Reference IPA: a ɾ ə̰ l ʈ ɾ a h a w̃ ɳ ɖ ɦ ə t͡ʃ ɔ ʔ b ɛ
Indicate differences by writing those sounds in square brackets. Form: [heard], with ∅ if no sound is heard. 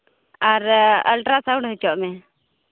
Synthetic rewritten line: a ɾ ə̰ l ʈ ɾ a [s] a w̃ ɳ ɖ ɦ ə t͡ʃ ɔ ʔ [m] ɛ